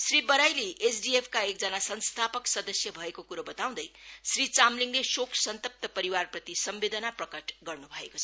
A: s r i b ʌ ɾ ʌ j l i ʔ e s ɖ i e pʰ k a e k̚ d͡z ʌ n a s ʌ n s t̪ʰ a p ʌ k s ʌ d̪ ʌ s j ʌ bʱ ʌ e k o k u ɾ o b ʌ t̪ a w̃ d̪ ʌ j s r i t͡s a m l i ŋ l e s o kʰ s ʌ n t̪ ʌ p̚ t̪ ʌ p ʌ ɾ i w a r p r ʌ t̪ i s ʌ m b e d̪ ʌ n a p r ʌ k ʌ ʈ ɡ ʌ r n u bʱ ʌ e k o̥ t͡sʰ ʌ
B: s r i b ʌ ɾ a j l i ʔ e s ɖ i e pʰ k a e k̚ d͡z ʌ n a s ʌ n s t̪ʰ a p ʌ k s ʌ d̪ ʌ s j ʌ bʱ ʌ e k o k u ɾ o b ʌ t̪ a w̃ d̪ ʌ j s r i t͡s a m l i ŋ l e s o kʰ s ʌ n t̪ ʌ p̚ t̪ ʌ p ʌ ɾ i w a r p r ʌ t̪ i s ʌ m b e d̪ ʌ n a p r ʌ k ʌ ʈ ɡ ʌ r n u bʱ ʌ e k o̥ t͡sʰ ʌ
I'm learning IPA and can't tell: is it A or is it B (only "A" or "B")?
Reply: B